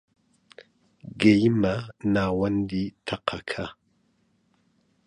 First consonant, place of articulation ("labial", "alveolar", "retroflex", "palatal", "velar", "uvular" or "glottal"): velar